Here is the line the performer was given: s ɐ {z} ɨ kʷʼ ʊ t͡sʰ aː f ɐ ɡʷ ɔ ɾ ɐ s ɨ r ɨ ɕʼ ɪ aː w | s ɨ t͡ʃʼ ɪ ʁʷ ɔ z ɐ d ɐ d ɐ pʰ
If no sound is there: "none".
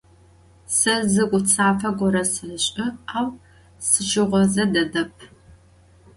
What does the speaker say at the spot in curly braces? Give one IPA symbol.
z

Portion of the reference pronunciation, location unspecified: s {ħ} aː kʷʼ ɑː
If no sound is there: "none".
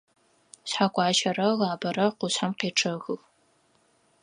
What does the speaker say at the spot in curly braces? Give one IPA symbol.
ħ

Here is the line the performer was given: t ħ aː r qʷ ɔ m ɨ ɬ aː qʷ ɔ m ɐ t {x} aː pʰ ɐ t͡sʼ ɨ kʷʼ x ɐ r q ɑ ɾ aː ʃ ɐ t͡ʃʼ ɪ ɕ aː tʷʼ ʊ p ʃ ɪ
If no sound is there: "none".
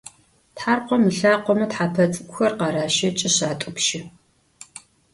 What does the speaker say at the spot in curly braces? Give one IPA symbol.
ħ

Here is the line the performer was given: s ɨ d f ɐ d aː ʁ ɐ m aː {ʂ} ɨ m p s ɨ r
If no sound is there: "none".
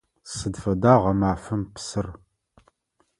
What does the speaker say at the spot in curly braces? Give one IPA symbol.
f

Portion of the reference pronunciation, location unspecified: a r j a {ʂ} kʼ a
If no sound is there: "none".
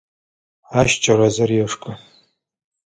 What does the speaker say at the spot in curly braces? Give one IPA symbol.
ʂ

